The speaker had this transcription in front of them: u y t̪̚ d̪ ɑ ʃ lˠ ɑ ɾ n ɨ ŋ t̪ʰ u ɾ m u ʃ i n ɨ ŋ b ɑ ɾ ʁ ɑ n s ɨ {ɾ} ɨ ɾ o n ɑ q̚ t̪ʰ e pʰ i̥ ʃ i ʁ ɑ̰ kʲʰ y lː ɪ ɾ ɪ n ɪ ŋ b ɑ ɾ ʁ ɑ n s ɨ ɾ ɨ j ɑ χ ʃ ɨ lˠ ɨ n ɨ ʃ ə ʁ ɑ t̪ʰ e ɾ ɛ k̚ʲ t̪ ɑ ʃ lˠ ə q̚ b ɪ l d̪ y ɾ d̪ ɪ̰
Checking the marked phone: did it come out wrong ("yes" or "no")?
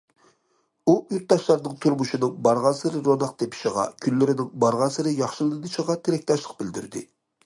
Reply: no